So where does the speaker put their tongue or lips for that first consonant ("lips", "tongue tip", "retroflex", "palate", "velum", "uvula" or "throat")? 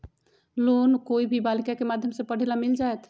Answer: tongue tip